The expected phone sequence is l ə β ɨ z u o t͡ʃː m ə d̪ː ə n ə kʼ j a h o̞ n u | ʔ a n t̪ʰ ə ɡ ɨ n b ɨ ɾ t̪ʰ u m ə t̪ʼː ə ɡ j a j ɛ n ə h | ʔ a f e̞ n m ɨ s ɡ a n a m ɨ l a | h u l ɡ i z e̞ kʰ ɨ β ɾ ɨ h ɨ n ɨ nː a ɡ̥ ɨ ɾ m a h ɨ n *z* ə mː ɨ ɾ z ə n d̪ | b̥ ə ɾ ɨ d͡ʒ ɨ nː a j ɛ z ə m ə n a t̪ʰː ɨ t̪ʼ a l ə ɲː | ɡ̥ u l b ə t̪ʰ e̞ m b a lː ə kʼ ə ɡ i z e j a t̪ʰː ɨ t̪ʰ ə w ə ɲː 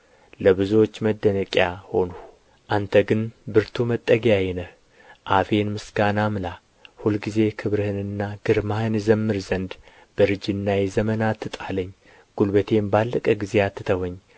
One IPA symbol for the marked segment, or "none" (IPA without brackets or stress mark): z